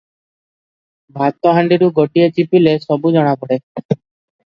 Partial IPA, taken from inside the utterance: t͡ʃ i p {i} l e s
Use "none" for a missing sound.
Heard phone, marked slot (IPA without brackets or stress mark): i